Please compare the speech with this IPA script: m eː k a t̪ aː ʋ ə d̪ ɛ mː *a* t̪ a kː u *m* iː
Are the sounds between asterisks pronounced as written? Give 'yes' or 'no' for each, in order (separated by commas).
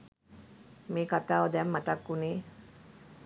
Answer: yes, no